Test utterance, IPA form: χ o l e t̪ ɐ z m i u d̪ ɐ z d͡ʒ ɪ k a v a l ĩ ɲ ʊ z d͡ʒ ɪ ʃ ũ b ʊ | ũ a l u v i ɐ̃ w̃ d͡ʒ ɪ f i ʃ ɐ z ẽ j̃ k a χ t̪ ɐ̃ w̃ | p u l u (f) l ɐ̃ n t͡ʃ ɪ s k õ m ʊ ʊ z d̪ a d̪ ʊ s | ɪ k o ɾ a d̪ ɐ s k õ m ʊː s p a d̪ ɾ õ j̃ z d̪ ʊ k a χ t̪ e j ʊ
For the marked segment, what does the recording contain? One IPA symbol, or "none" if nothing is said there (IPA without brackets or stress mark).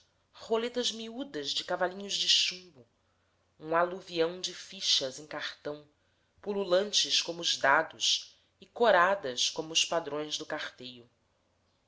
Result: none